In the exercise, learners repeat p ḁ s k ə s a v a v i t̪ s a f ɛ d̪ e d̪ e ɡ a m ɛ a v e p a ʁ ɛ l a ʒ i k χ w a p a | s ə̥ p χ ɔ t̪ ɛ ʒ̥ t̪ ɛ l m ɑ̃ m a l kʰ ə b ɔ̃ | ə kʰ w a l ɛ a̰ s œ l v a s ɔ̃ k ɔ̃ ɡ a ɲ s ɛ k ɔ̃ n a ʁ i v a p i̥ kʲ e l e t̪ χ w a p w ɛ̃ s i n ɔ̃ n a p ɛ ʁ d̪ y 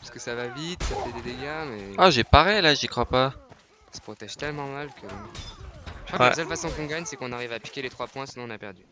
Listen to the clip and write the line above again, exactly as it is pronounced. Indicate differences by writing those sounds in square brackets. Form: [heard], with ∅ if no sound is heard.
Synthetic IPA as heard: p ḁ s k ə s a v a v i t̪ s a f ɛ d̪ e d̪ e ɡ a m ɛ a [ʒ] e p a ʁ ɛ l a ʒ i k χ w a p a | s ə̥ p χ ɔ t̪ ɛ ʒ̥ t̪ ɛ l m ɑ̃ m a l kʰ ə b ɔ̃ | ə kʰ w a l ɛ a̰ s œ l [f] a s ɔ̃ k ɔ̃ ɡ a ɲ s ɛ k ɔ̃ n a ʁ i v a p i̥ kʲ e l e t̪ χ w a p w ɛ̃ s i n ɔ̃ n a p ɛ ʁ d̪ y